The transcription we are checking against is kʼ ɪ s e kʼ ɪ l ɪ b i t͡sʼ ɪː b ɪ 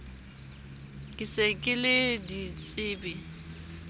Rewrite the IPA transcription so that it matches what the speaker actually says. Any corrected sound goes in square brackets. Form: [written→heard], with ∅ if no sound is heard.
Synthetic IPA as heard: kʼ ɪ s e kʼ ɪ l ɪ [b→d] i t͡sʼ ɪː b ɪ